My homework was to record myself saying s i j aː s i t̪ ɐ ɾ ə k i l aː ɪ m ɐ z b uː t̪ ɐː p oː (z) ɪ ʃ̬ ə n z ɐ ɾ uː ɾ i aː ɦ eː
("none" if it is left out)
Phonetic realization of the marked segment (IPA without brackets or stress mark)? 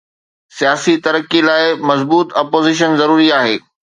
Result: z